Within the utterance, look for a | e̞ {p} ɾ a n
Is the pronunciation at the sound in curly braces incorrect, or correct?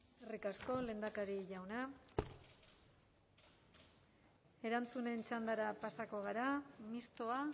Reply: incorrect